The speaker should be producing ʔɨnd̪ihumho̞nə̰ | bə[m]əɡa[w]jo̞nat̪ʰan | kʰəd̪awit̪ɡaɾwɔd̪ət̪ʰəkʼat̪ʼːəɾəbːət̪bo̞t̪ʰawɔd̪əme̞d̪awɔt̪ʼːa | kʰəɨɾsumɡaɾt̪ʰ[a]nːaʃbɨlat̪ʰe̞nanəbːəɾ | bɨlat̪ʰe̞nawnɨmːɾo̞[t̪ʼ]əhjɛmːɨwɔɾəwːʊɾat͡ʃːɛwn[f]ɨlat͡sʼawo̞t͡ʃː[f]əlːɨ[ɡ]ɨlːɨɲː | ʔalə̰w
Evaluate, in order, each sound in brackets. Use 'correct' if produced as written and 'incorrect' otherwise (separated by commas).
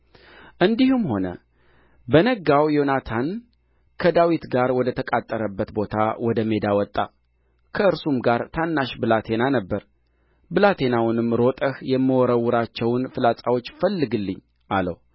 incorrect, correct, correct, correct, correct, correct, correct